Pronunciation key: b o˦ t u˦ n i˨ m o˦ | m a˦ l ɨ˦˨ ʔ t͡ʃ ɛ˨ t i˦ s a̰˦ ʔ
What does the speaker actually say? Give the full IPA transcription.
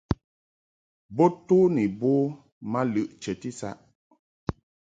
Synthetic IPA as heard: b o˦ t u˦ n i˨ b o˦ | m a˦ l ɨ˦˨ ʔ t͡ʃ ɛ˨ t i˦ s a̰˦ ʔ

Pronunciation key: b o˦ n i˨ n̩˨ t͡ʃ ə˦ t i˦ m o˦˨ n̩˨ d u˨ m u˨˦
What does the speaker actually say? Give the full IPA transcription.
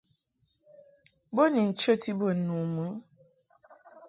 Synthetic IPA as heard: b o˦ n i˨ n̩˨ t͡ʃ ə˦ t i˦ b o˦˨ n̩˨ n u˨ m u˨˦

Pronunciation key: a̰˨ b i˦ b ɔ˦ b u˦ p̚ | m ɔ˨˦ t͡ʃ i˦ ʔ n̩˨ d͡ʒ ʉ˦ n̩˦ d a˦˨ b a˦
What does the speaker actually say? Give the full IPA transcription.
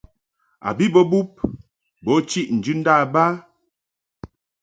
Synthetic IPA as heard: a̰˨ b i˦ b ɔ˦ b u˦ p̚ | b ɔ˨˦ t͡ʃ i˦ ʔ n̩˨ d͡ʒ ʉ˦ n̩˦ d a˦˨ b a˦

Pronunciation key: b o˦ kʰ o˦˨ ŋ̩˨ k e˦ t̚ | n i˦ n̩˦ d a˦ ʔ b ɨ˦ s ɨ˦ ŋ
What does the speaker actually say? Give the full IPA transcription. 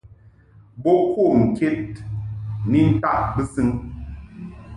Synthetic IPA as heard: b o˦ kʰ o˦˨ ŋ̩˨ k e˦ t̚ | n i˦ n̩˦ t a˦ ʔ b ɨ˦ s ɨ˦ ŋ

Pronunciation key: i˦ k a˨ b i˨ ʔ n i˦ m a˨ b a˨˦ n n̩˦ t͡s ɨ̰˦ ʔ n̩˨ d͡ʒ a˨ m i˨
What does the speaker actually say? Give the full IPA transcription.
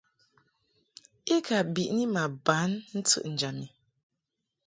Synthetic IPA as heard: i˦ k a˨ b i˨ ʔ n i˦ m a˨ b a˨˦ n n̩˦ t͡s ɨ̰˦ ʔ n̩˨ d͡ʒ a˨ m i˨

